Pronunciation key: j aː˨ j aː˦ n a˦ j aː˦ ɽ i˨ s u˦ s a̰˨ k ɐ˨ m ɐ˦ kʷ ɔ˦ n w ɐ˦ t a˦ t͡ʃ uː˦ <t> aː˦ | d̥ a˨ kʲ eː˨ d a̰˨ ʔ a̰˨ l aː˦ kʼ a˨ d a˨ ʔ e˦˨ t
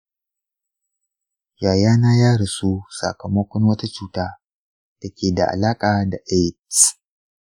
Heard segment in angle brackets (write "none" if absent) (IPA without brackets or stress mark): t